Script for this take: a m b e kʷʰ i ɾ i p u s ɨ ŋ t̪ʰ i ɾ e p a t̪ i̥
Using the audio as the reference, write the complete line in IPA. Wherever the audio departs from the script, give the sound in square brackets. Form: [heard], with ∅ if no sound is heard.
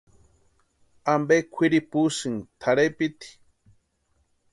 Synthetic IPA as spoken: a m b e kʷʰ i ɾ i p u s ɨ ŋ t̪ʰ [a] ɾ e p [i] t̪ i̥